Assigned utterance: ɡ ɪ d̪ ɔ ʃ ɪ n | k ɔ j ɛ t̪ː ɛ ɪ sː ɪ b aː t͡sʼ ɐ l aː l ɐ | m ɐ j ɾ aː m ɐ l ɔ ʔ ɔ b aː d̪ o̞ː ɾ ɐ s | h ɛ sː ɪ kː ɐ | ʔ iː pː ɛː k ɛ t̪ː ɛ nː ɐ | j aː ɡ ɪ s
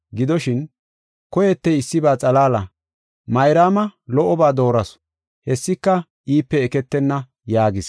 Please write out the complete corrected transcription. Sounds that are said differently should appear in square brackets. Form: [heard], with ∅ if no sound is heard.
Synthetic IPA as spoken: ɡ ɪ d̪ ɔ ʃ ɪ n | k ɔ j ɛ t̪ː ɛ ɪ sː ɪ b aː t͡sʼ ɐ l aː l ɐ | m ɐ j ɾ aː m ɐ l ɔ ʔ ɔ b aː d̪ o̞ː ɾ ɐ s | h ɛ sː ɪ kː ɐ | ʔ iː pː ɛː k ɛ t̪ː ɛ nː ɐ | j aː ɡ ɪ s